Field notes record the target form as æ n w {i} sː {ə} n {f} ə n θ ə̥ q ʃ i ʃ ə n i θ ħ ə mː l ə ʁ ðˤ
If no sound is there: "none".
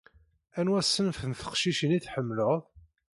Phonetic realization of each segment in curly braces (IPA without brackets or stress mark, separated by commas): æ, ə, f